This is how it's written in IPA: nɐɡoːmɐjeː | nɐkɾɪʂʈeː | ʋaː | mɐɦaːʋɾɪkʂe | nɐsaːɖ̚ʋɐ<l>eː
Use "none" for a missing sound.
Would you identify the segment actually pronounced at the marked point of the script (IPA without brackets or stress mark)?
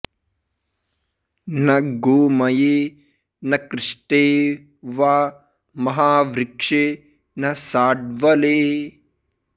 l